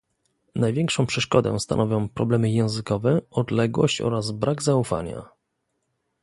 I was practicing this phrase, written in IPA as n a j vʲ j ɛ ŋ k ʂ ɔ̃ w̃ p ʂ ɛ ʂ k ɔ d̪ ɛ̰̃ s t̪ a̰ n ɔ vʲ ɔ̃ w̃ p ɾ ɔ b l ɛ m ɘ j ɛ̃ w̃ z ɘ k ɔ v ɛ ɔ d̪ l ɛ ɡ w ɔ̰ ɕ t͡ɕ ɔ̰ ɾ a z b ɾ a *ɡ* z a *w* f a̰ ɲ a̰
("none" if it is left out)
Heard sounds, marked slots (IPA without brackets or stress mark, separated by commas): ɡ, u